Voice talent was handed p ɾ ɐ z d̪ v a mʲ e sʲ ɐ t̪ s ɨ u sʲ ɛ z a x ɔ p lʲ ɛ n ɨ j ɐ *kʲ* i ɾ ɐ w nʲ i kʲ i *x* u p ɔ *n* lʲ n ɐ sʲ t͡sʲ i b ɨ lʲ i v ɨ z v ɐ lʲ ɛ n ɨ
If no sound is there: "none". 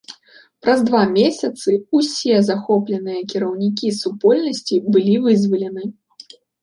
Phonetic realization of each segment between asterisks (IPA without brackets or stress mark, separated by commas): kʲ, s, none